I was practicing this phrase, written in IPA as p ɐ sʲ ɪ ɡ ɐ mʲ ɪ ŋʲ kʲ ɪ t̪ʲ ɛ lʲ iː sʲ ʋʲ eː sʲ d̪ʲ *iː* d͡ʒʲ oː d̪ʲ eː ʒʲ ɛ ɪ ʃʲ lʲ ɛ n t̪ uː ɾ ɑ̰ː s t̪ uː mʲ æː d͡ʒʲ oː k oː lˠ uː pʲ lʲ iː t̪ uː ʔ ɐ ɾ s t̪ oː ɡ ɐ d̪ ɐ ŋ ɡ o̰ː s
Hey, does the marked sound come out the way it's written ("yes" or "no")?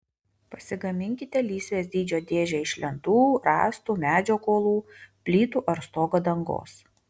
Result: yes